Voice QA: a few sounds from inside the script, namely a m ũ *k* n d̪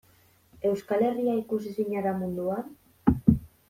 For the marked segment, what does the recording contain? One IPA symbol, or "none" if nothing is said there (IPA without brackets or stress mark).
none